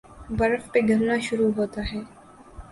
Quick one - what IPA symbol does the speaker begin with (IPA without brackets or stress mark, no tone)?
b